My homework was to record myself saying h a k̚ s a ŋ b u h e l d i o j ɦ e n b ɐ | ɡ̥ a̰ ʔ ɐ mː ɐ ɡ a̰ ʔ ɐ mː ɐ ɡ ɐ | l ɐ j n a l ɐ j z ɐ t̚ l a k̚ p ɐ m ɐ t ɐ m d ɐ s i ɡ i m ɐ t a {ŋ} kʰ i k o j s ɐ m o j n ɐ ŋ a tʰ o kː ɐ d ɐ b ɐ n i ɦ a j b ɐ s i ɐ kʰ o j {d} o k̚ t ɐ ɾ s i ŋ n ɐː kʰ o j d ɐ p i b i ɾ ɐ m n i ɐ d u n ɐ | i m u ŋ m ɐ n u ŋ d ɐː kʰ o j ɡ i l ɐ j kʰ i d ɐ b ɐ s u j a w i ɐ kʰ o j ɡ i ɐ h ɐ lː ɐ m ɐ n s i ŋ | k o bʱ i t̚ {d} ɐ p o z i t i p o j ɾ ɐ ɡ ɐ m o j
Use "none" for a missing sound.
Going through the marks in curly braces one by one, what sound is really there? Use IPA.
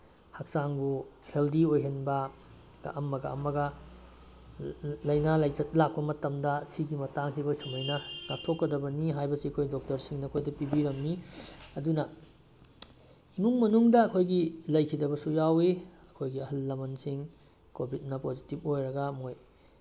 ŋ, d, n

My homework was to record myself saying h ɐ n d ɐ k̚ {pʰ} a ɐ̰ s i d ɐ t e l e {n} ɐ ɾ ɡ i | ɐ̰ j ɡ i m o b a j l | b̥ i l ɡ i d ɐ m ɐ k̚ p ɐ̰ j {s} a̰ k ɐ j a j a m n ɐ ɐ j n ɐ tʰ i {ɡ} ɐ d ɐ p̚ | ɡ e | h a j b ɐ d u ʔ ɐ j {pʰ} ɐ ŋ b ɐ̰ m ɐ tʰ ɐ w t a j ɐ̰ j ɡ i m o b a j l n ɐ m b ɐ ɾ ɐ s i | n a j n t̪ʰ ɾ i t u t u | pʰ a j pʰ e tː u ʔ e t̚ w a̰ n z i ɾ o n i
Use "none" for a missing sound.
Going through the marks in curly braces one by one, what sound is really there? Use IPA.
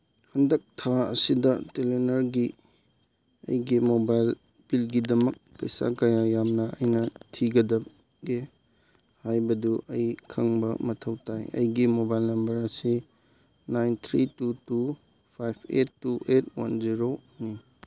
tʰ, n, s, ɡ, kʰ

